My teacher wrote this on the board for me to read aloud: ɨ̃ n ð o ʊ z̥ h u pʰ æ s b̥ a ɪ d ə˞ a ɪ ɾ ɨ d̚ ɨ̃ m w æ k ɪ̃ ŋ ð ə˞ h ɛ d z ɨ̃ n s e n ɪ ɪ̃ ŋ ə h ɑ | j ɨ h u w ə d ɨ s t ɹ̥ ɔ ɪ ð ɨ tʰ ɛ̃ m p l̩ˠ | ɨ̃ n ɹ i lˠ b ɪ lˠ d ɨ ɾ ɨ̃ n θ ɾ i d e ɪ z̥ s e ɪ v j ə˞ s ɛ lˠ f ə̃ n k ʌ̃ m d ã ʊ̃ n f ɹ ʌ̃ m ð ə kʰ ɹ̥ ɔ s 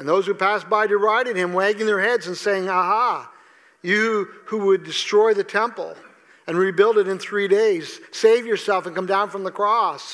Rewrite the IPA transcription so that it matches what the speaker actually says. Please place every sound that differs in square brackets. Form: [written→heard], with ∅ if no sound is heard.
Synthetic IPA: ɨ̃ n ð o ʊ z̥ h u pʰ æ s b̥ a ɪ d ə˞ a ɪ ɾ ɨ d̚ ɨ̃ m w æ [k→ɡ] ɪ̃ ŋ ð ə˞ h ɛ d z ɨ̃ n s e [n→∅] ɪ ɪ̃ ŋ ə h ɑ | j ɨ h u w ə d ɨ s t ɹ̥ ɔ ɪ ð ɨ tʰ ɛ̃ m p l̩ˠ | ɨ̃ n ɹ i [lˠ→∅] b ɪ lˠ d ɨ ɾ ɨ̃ n θ [ɾ→ɹ] i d e ɪ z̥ s e ɪ v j ə˞ s ɛ lˠ f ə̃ n k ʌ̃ m d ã ʊ̃ n f ɹ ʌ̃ m ð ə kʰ ɹ̥ ɔ s